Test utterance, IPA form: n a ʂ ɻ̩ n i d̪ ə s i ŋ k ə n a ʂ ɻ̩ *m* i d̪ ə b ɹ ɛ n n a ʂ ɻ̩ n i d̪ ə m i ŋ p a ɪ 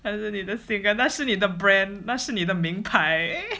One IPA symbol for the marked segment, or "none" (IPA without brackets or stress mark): n